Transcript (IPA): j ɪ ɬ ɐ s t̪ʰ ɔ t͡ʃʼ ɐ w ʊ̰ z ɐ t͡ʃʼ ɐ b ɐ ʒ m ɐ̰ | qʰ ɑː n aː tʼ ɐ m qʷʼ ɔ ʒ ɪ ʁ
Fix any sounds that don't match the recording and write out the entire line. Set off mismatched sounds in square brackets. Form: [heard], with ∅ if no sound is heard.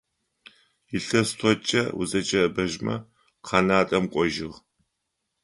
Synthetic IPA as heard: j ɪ ɬ ɐ s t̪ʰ ɔ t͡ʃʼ ɐ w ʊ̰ z ɐ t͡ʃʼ ɐ b ɐ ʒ m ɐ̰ | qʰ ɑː n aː tʼ ɐ m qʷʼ ɔ ʒ ɪ ʁ